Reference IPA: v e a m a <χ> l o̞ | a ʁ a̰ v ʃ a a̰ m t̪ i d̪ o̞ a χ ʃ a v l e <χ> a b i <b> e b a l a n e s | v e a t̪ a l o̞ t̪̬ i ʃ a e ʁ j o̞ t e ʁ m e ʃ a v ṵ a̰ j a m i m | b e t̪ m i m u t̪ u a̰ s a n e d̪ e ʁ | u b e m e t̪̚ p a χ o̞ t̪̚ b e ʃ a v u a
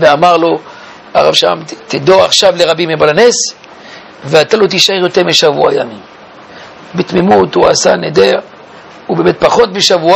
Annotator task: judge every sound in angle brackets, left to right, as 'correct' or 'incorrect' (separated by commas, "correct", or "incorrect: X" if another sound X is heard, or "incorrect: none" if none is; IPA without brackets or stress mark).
incorrect: ʁ, incorrect: ʁ, incorrect: m